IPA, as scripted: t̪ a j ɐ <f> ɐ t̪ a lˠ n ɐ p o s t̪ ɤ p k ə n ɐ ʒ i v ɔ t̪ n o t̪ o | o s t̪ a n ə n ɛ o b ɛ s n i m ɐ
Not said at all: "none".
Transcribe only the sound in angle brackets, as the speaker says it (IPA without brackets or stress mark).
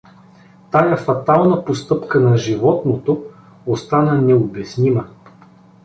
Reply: f